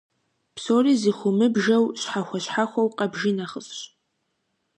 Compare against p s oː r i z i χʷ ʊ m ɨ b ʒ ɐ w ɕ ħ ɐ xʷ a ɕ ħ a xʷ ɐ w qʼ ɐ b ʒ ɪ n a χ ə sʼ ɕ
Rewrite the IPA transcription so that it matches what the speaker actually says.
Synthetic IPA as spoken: p s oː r i z i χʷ ʊ m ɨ b ʒ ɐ w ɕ ħ a xʷ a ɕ ħ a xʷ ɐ w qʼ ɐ b ʒ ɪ n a χ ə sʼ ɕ

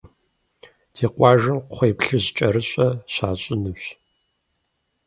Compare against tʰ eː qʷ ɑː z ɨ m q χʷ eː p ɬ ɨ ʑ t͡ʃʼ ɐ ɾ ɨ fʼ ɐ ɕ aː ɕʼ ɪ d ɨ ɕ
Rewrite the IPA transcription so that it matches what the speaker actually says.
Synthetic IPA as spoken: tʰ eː qʷ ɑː ʒ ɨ m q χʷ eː p ɬ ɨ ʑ t͡ʃʼ ɐ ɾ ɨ ɕʼ ɐ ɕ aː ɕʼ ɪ n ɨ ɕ

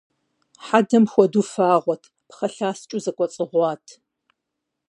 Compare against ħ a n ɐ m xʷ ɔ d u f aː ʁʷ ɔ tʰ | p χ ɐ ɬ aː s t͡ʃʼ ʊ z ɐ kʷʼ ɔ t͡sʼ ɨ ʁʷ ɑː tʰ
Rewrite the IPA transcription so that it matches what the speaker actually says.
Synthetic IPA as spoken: ħ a d ɐ m xʷ ɔ d u f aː ʁʷ ɔ tʰ | p χ ɐ ɬ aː s t͡ʃʼ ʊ z ɐ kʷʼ ɔ t͡sʼ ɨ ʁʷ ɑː tʰ

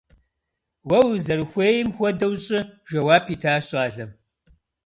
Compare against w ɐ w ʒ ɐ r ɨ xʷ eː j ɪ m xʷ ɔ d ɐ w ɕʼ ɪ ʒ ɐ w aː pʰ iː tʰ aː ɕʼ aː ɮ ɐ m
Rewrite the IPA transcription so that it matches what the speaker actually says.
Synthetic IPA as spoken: w ɐ w z ɐ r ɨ xʷ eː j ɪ m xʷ ɔ d ɐ w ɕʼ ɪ ʒ ɐ w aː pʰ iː tʰ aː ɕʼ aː ɮ ɐ m

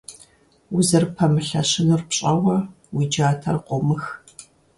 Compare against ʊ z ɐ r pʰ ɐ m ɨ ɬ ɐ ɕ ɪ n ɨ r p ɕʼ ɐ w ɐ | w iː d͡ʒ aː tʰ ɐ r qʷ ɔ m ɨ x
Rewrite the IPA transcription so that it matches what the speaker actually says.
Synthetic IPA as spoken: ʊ z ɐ r pʰ ɐ m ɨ ɬ ɐ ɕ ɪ n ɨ r p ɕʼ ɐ w ɐ | w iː d͡ʒ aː tʰ ɐ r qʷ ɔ m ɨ x

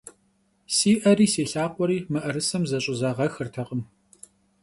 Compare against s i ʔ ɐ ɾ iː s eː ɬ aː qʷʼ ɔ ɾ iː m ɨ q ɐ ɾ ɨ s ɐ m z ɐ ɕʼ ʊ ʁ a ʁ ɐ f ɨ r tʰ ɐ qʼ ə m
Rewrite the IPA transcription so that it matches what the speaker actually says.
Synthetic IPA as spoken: s iː ʔ ɐ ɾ iː s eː ɬ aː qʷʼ ɔ ɾ iː m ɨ ʔ ɐ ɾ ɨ s ɐ m z ɐ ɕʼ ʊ z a ʁ ɐ x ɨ r tʰ ɐ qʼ ə m

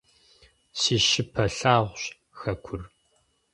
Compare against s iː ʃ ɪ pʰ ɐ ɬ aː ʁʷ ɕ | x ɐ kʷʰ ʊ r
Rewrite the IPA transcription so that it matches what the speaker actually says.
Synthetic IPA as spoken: s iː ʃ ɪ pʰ ɐ ɬ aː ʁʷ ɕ | x ɐ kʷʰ ʊ r

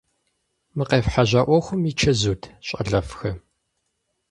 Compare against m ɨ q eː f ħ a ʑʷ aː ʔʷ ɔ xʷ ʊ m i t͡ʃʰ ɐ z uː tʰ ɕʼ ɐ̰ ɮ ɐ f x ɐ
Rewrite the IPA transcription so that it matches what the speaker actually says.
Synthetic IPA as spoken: m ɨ q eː f ħ a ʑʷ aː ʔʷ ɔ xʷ ʊ m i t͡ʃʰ ɐ z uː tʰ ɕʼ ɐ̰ ɮ ɐ f x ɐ

